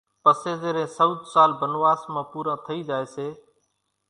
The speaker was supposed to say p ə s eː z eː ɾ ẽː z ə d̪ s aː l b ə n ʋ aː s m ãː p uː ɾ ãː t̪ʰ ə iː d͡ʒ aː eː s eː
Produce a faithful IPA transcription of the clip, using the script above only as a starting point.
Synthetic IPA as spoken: p ə s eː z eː ɾ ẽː s ə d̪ s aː l b ə n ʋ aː s m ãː p uː ɾ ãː t̪ʰ ə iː d͡ʒ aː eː s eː